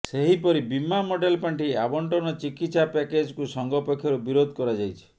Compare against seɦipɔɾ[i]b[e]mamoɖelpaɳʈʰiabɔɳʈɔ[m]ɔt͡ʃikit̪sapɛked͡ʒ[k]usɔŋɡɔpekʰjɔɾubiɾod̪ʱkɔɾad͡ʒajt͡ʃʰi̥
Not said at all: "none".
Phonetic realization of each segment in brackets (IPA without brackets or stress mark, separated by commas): i, i, n, k